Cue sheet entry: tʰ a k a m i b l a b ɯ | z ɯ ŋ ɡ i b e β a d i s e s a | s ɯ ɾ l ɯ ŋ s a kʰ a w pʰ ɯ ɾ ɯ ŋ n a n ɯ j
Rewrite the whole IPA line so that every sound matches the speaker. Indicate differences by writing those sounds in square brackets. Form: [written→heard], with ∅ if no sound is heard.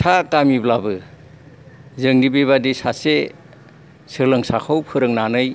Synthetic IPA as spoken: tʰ a k a m i b l a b ɯ | z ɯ ŋ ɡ i b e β a d i s [e→a] s [a→e] | s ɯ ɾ l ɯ ŋ s a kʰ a w pʰ ɯ ɾ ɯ ŋ n a n ɯ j